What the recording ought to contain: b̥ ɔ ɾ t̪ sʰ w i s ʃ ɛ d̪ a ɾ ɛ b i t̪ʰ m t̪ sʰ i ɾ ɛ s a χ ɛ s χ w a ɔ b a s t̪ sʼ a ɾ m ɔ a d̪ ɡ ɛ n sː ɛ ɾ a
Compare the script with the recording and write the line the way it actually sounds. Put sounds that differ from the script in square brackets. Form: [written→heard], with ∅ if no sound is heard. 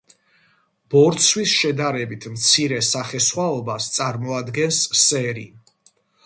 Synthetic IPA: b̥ ɔ ɾ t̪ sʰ w i s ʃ ɛ d̪ a ɾ ɛ b i t̪ʰ m t̪ sʰ i ɾ ɛ s a χ ɛ s χ w a ɔ b a s t̪ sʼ a ɾ m ɔ a d̪ ɡ ɛ n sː ɛ ɾ [a→i]